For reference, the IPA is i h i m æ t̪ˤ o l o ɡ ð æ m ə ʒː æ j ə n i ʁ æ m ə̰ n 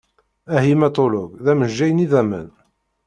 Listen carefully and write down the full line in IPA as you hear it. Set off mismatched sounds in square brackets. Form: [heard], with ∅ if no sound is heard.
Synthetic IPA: [æ] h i m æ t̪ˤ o l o ɡ ð æ m ə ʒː æ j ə n i [ð] æ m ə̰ n